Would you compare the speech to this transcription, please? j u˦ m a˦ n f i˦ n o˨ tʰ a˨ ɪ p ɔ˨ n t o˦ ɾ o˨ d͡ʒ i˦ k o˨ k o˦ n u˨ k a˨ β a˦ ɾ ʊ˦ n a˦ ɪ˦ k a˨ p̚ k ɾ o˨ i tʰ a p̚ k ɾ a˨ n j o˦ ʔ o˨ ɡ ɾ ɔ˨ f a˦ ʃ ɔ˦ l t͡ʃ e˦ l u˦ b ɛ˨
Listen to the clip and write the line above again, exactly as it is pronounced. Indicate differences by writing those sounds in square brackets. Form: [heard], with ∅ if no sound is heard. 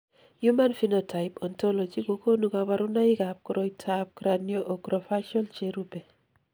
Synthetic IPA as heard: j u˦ m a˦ n f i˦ n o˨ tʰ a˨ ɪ p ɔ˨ n t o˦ [l] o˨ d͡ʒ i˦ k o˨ k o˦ n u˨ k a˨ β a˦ ɾ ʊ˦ n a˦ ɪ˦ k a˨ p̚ k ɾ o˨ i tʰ a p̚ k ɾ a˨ n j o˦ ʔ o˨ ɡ ɾ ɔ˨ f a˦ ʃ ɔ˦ l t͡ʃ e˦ [ɾ] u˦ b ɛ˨